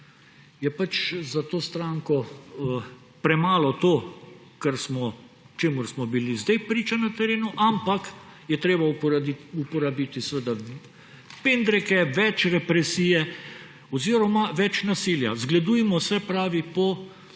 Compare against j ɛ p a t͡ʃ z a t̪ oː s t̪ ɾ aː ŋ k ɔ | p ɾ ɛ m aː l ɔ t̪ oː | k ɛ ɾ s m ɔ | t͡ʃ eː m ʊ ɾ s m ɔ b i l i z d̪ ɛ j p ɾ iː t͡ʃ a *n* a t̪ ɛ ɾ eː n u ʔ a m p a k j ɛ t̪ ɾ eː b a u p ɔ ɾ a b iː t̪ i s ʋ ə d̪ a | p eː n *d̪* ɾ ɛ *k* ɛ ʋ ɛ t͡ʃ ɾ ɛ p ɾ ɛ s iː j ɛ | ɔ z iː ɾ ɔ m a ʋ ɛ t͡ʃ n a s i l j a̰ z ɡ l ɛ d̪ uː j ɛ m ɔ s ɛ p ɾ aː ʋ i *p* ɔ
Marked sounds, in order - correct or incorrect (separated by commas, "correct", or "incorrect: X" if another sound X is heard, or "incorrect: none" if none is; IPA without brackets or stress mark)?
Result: correct, correct, correct, correct